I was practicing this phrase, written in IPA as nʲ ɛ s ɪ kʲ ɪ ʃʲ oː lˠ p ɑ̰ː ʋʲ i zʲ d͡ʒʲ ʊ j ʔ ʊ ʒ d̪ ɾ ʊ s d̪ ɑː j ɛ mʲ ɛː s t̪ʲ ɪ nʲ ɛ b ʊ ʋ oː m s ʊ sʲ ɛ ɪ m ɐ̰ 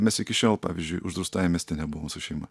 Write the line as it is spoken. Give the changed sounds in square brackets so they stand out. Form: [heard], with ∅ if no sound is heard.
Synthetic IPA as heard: [mʲ] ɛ s ɪ kʲ ɪ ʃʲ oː lˠ p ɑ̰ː ʋʲ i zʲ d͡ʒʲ ʊ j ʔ ʊ ʒ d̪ ɾ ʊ s [t̪] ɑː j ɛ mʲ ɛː s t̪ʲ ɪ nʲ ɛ b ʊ ʋ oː m s ʊ [ʃʲ] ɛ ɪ m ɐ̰